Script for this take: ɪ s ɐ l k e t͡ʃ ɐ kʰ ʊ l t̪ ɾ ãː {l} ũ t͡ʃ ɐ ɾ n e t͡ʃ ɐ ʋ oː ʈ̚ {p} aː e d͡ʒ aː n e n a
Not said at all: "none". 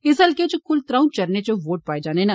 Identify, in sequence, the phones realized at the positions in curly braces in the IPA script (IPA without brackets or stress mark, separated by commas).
none, p